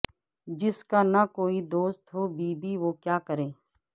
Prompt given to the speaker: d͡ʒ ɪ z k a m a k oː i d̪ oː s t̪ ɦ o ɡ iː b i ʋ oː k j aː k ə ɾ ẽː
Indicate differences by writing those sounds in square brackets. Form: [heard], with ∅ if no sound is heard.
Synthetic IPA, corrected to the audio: d͡ʒ ɪ [s] k a [n] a k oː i d̪ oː s t̪ ɦ o [b] iː b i ʋ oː k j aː k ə ɾ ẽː